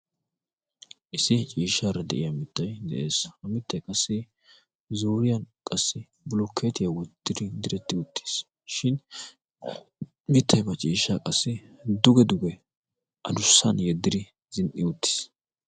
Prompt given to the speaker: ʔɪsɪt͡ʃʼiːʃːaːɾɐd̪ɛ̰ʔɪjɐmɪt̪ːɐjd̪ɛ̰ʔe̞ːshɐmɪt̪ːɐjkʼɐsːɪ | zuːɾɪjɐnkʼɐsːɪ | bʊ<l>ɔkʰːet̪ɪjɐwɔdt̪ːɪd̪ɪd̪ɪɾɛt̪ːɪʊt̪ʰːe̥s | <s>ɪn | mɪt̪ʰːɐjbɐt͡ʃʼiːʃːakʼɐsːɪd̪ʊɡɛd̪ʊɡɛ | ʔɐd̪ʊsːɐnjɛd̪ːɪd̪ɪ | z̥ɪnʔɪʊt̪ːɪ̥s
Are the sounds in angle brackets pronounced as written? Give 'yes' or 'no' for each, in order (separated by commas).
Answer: yes, no